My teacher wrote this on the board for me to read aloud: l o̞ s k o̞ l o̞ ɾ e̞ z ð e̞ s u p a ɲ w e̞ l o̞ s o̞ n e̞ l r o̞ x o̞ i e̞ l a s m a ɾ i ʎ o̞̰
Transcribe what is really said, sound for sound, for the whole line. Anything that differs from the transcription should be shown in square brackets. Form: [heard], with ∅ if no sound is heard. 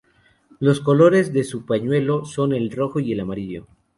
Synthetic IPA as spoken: l o̞ s k o̞ l o̞ ɾ e̞ z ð e̞ s u p a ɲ w e̞ l o̞ s o̞ n e̞ l r o̞ x o̞ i e̞ l a [∅] m a ɾ i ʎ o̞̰